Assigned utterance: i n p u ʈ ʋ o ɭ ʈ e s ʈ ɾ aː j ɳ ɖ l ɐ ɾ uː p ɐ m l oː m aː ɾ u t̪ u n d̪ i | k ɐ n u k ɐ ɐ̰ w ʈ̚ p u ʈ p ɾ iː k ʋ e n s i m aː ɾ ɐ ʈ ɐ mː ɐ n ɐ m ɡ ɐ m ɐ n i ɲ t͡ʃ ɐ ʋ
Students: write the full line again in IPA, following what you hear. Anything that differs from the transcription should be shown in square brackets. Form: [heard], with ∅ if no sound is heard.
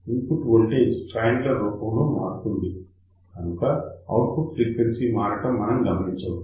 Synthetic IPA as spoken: i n p u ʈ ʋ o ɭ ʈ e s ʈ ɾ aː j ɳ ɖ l ɐ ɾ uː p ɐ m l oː m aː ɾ u t̪ u n d̪ i | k ɐ n u k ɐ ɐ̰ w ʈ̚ p u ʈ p ɾ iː k ʋ e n s i m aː ɾ ɐ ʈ ɐ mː ɐ n ɐ m ɡ ɐ m ɐ n i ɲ t͡ʃ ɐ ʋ